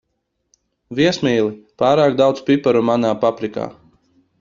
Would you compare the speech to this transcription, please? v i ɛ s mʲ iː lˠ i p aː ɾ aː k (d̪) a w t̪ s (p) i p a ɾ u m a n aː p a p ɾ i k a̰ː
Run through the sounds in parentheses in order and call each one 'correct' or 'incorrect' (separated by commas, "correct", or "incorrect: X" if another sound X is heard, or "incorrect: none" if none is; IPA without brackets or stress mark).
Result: correct, correct